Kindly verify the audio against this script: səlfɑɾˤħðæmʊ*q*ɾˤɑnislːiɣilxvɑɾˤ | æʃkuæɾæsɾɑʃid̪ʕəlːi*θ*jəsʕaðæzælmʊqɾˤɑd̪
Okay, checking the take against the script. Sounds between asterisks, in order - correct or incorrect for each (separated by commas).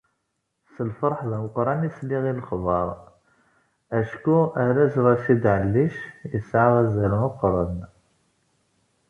correct, incorrect